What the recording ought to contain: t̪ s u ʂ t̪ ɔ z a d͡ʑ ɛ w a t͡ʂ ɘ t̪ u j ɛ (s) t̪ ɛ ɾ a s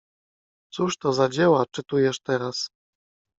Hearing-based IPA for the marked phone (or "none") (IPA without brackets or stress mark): ʂ